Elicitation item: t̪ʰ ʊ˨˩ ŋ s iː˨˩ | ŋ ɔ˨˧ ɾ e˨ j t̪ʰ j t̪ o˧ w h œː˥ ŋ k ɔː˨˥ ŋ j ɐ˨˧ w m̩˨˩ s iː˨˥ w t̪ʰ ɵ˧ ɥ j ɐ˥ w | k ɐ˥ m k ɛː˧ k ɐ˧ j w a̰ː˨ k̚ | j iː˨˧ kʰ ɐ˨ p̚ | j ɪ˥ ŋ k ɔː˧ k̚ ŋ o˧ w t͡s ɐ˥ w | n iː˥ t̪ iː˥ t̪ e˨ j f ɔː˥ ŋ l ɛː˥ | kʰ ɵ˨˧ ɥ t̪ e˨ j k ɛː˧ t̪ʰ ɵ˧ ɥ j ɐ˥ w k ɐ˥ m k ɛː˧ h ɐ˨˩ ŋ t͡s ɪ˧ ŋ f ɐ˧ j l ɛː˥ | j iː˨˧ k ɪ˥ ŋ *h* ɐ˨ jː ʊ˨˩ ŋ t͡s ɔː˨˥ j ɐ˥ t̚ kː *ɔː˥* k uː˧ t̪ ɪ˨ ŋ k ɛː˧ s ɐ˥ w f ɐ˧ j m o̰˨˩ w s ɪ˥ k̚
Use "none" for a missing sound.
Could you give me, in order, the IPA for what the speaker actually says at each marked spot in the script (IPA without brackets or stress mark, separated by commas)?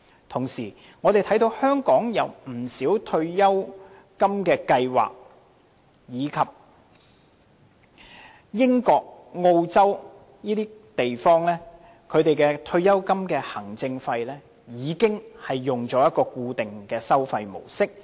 h, ɔː˧